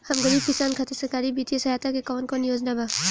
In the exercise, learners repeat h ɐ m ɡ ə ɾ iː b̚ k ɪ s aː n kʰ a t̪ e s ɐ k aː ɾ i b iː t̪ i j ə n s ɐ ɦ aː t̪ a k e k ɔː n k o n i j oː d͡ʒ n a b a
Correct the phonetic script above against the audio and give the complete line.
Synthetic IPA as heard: h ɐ m ɡ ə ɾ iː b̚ k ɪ s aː n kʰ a t̪ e s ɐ k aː ɾ i b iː t̪ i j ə s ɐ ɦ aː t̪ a k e k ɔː n k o n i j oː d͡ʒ n a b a

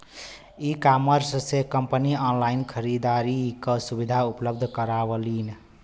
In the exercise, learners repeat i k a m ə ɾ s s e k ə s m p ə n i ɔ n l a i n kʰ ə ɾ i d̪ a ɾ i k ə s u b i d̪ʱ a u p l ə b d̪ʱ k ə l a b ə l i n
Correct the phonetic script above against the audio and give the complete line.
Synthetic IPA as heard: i k a m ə ɾ s s e k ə m p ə n i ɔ n l a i n kʰ ə ɾ i d̪ a ɾ i k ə s u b i d̪ʱ a u p l ə b d̪ʱ k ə ɾ a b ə l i n

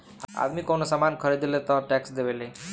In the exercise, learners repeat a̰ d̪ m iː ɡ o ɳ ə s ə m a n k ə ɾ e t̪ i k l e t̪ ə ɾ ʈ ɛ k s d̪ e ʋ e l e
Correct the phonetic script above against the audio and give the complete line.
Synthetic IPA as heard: a̰ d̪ m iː k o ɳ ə s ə m a n kʰ ə ɾ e d̪ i l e t̪ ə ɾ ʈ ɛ k s d̪ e ʋ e l e

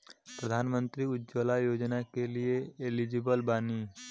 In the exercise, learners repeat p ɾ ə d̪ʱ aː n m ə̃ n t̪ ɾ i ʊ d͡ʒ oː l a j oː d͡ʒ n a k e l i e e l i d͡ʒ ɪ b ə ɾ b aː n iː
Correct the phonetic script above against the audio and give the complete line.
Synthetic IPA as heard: p ɾ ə d̪ʱ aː n m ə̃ n t̪ ɾ i ʊ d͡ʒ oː l a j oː d͡ʒ n a k e l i e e l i d͡ʒ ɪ b ə l b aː n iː

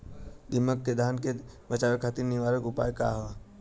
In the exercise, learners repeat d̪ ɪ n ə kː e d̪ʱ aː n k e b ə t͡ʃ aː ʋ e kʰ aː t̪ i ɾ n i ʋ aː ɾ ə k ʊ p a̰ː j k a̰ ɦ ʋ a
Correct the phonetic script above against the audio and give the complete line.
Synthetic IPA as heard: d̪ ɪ m ə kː e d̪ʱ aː n k e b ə t͡ʃ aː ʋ e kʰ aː t̪ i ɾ n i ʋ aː ɾ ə k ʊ p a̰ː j k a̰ ɦ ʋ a

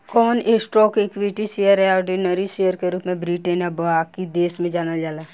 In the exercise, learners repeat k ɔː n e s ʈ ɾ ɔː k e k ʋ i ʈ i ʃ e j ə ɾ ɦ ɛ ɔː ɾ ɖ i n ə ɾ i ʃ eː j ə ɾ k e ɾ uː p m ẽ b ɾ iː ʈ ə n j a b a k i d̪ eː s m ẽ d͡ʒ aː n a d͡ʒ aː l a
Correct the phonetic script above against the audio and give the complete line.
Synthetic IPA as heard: k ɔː n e s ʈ ɾ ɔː k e k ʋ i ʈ i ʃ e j ə ɾ ɦ ɛ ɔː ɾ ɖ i n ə ɾ i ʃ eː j ə ɾ k e ɾ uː p m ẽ b ɾ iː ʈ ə n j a b a k i d̪ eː s m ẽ d͡ʒ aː n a d͡ʒ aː l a

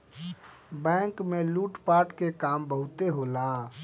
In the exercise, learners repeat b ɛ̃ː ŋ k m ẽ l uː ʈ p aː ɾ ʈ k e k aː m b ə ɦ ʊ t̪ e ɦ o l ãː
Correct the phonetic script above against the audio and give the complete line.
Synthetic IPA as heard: b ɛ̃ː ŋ k m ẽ l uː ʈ p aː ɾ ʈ k e k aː m b ə ɦ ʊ t̪ e ɦ o l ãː

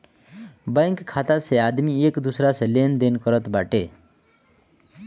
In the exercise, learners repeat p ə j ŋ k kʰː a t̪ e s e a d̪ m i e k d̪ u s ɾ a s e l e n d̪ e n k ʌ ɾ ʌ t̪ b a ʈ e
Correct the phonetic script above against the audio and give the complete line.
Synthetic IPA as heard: b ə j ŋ k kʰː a t̪ a s e a d̪ m i e k d̪ u s ɾ a s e l e n d̪ e n k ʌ ɾ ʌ t̪ b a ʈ e

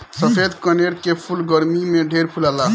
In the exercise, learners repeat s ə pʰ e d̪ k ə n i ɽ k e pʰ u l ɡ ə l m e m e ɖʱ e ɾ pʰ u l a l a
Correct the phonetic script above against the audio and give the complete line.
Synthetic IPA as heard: s ə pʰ e d̪ k ə n e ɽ k e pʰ u l ɡ ə ɾ m i m e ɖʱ e ɾ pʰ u l a l a

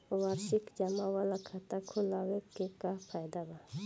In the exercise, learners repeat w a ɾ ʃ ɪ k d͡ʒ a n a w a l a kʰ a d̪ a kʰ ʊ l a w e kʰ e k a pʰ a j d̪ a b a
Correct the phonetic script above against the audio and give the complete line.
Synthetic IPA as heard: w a ɾ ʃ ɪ k d͡ʒ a m a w a l a kʰ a t̪ a kʰ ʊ l a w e k e k a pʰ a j d̪ a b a

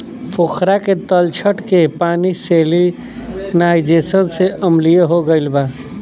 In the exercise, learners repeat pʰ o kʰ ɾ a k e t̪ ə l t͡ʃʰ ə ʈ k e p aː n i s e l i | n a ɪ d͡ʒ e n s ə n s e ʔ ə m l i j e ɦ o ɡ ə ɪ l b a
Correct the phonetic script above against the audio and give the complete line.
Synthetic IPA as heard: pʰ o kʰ ɾ a k e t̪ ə l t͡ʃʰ ə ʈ k e p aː n i s e l i | n a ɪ d͡ʒ e s ə n s e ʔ ə m l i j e ɦ o ɡ ə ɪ l b a

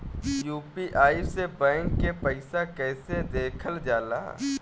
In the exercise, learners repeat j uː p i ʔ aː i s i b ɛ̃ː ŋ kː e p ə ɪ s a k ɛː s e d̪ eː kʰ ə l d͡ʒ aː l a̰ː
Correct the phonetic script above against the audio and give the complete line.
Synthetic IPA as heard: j uː p i ʔ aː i s e b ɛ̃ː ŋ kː e p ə ɪ s a k ɛː s e d̪ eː kʰ ə l d͡ʒ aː l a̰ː

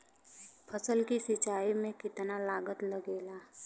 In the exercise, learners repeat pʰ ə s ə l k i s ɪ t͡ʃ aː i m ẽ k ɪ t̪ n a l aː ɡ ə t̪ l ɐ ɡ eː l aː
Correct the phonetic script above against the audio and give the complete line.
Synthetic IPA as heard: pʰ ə s ə l k i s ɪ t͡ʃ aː i m ẽ k ɪ t̪ n a l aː ɡ ə t̪ l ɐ ɡ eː l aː

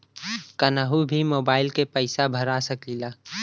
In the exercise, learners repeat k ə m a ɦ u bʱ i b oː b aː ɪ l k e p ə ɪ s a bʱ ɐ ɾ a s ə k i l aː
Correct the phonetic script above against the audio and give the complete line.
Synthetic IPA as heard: k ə n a ɦ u bʱ i m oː b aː ɪ l k e p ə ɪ s a bʱ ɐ ɾ a s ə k i l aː

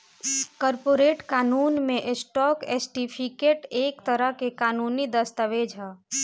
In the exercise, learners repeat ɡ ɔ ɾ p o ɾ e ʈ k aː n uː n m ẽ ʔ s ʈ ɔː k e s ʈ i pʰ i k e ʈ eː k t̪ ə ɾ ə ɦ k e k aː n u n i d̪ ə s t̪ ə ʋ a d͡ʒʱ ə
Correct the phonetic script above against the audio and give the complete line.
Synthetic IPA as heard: k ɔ ɾ p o ɾ e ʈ k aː n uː n m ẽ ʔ s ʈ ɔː k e s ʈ i pʰ i k e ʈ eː k t̪ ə ɾ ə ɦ k e k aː n u n i d̪ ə s t̪ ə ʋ e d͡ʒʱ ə

